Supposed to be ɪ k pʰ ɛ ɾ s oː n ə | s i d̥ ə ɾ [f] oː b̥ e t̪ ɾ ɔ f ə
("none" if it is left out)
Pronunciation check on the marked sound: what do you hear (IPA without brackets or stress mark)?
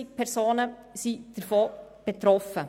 f